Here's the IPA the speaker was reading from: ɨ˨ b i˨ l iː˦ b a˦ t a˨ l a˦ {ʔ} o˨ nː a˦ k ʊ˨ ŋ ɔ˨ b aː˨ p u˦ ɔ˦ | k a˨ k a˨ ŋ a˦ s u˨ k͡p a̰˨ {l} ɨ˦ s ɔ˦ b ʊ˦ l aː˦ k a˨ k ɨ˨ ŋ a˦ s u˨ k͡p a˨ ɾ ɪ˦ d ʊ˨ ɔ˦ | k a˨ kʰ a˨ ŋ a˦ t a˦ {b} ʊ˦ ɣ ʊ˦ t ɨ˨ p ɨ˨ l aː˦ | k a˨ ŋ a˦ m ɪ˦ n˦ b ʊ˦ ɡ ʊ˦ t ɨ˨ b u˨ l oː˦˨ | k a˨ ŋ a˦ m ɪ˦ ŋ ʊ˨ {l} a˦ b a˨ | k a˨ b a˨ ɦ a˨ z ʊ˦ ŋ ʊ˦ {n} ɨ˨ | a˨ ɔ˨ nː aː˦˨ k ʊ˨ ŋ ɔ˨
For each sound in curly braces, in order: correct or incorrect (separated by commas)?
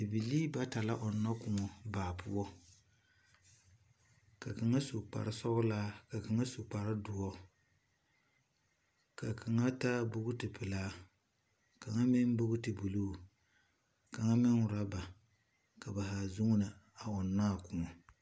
correct, incorrect, correct, incorrect, correct